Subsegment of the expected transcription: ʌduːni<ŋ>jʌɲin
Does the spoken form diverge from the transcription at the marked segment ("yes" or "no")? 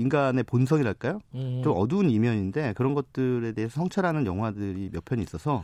yes